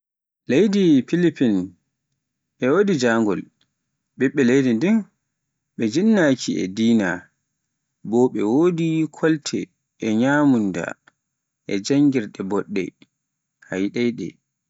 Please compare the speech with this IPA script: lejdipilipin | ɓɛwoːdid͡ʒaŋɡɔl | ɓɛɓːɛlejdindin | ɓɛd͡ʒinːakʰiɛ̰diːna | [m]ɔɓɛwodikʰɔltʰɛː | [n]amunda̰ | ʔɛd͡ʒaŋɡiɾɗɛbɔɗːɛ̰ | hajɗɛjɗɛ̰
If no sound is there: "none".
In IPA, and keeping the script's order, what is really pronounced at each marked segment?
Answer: b, ɲ

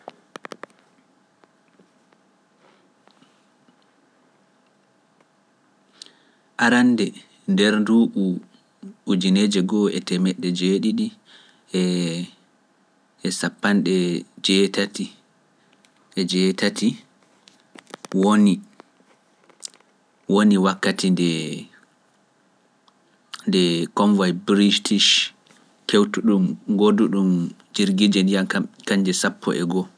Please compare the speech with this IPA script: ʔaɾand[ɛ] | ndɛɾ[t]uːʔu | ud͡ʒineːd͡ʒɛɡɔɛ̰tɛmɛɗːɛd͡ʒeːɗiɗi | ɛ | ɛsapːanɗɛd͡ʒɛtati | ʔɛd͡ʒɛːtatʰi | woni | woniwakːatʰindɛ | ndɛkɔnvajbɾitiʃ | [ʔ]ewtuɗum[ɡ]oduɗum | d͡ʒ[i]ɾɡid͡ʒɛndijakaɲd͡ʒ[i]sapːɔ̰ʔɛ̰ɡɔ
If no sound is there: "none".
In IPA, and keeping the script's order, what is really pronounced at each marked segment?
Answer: ɛ, d, k, ɡ, i, ɛ

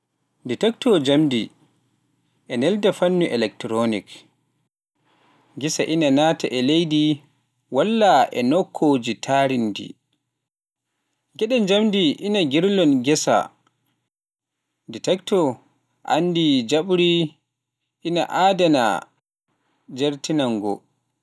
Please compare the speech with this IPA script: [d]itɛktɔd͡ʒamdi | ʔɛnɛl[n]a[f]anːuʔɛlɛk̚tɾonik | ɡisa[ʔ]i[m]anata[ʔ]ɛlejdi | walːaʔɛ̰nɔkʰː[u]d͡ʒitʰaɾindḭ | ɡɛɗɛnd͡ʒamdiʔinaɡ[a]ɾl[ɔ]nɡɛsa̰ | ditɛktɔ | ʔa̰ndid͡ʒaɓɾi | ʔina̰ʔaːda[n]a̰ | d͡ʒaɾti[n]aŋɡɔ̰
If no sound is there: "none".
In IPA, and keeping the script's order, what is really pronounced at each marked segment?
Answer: d, d, f, ʔ, n, ʔ, o, i, ɔ, n, n

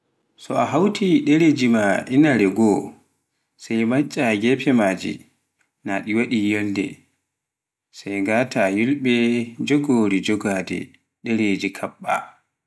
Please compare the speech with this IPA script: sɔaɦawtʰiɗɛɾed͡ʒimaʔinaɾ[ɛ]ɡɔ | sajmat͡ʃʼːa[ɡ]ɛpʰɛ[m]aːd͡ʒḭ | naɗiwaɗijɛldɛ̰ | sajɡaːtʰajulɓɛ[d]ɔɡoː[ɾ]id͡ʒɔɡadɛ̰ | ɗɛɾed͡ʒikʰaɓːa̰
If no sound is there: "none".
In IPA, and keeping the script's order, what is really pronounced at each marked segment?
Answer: ɛ, ɡ, m, d͡ʒ, ɾ

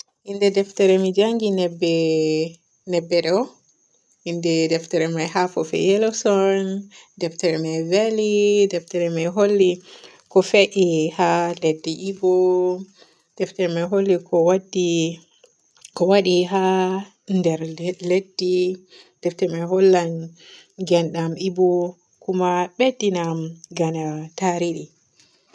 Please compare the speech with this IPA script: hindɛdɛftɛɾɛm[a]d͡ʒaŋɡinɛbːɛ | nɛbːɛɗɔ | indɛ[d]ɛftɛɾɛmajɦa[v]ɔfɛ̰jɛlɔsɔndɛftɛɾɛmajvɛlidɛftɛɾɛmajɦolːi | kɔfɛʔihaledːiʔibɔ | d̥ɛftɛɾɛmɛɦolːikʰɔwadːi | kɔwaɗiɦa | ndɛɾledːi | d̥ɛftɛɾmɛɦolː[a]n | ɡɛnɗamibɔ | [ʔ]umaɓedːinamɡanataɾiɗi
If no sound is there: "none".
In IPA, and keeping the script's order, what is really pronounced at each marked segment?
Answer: i, d, f, a, k

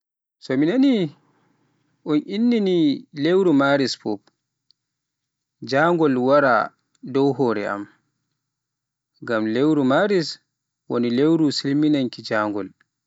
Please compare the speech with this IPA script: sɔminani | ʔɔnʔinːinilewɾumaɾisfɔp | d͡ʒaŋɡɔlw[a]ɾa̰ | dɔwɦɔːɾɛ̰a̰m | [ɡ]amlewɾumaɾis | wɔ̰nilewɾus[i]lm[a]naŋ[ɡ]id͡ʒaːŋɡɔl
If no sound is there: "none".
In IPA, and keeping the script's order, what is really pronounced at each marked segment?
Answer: a, ɡ, i, i, k

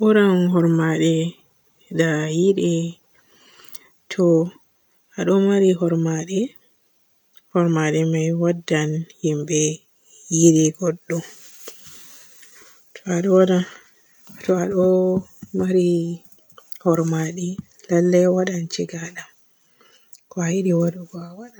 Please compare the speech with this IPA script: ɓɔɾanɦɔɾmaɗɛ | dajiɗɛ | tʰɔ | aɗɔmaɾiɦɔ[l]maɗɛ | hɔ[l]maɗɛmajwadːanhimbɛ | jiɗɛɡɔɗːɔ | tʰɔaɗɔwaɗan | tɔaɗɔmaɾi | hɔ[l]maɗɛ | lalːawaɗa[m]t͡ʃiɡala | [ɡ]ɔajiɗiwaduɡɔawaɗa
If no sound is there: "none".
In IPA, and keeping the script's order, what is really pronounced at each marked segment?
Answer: ɾ, ɾ, ɾ, n, k

